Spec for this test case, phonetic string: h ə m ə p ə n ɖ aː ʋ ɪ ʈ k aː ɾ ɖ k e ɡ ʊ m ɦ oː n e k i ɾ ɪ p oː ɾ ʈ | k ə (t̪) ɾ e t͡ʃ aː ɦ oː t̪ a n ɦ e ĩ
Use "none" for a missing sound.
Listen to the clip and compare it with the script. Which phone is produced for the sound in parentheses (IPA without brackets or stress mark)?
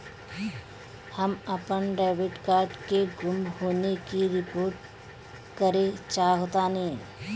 none